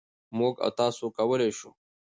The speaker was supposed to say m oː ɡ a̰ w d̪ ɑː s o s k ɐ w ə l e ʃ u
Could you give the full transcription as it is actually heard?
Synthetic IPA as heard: m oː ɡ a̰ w t̪ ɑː s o k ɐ w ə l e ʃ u